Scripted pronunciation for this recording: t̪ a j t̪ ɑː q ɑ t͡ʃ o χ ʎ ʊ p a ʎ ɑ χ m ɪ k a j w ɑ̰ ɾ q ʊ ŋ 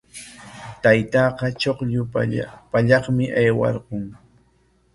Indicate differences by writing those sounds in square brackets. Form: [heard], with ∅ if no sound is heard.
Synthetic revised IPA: t̪ a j t̪ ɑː q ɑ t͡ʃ o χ ʎ ʊ p a ʎ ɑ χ m ɪ [ʔ] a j w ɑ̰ ɾ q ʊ ŋ